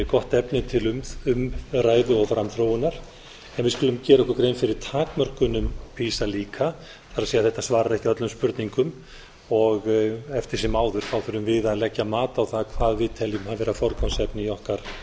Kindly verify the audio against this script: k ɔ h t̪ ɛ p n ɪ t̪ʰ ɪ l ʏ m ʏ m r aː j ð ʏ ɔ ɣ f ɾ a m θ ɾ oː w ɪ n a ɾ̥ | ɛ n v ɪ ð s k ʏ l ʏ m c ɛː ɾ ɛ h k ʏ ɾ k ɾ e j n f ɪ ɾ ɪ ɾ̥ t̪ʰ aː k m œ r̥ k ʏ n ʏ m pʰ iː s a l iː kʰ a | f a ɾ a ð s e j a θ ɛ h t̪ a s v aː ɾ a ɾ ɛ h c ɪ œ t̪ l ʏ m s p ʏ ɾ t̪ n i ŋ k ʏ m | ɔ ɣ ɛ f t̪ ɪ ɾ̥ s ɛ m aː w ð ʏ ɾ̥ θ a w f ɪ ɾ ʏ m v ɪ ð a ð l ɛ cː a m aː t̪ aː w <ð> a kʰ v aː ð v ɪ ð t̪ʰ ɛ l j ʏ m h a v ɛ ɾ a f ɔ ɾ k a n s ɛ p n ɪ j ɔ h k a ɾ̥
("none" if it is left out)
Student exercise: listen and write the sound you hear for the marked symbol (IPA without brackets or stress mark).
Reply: θ